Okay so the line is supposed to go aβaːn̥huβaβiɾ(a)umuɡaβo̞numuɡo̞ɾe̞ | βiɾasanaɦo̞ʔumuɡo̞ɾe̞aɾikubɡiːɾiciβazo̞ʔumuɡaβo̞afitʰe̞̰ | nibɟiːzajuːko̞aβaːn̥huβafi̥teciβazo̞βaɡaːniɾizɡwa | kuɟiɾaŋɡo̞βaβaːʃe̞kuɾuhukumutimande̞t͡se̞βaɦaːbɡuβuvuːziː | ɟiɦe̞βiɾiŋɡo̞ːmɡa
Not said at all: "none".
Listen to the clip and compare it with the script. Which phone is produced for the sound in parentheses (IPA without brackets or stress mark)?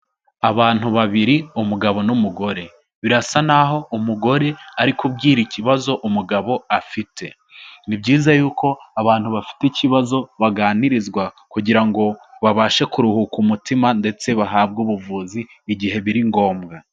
i